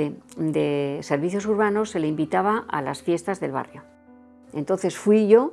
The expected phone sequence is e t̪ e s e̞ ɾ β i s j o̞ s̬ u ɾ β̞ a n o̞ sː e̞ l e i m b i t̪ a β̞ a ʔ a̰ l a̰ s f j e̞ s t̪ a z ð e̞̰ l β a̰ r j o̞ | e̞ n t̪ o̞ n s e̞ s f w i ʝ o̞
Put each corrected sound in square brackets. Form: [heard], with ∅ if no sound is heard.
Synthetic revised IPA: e [d̪] e s e̞ ɾ β i [θ] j o̞ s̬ u ɾ β̞ a n o̞ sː e̞ l e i m b i t̪ a β̞ a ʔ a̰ l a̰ s f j e̞ s t̪ a z ð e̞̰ l β a̰ r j o̞ | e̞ n t̪ o̞ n [θ] e̞ s f w i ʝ o̞